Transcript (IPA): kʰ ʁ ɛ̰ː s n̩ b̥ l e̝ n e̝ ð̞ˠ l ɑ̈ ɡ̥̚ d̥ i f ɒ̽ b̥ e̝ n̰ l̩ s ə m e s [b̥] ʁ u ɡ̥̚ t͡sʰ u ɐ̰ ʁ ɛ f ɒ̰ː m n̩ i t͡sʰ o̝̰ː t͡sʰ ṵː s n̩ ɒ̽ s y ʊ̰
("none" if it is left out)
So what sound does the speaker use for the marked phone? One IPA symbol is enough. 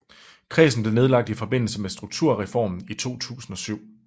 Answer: d̥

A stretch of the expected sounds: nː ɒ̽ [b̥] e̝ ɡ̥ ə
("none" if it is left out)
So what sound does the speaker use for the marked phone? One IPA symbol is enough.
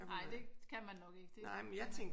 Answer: ɡ̥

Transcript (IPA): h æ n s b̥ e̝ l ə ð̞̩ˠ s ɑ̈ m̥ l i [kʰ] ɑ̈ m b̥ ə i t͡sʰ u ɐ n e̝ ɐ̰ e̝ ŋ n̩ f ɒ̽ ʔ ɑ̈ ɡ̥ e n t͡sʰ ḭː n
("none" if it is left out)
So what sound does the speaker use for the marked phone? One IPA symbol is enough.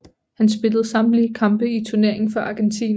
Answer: kʰ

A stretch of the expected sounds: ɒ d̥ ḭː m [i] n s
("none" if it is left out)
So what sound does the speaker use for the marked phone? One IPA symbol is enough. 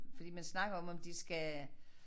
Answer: æ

